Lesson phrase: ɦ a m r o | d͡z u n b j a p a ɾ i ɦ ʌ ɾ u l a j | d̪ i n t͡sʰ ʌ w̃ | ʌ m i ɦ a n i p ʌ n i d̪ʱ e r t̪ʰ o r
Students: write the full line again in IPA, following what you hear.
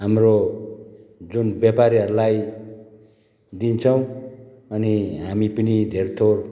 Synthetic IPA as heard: ɦ a m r o | d͡z u n b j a p a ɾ i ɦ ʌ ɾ u l a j | d̪ i n t͡sʰ ʌ w̃ | ʌ n i ɦ a m i p ʌ n i d̪ʱ e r t̪ʰ o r